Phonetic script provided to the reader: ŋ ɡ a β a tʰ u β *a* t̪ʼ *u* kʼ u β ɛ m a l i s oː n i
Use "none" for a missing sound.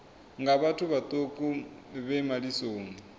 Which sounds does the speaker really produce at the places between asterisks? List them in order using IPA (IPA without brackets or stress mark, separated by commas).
a, o